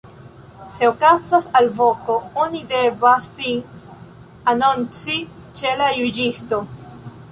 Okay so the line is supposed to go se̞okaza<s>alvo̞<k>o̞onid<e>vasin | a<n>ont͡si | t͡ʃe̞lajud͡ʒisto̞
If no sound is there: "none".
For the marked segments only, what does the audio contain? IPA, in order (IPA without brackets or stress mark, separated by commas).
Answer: s, k, e, n